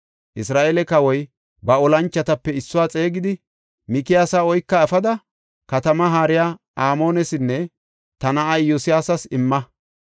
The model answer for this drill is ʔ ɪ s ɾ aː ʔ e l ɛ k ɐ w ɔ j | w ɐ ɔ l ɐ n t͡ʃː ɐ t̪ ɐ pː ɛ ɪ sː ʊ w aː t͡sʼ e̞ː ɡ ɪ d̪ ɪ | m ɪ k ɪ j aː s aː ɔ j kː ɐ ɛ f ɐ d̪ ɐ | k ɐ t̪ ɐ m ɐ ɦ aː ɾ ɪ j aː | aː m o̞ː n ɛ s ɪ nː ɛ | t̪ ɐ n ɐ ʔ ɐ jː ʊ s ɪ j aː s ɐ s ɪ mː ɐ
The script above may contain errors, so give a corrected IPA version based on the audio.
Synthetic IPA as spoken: ʔ ɪ s ɾ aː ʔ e l ɛ k ɐ w ɔ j | b ɐ ɔ l ɐ n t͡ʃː ɐ t̪ ɐ pː ɛ ɪ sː ʊ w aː t͡sʼ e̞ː ɡ ɪ d̪ ɪ | m ɪ k ɪ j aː s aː ɔ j kː ɐ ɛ f ɐ d̪ ɐ | k ɐ t̪ ɐ m ɐ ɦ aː ɾ ɪ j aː | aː m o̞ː n ɛ s ɪ nː ɛ | t̪ ɐ n ɐ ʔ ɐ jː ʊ s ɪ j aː s ɐ s ɪ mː ɐ